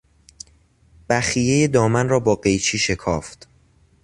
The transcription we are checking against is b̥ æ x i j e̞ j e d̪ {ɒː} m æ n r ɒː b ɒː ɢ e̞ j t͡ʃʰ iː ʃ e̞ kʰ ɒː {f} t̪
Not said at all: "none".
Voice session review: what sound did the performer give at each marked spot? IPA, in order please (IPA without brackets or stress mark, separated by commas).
ɒː, f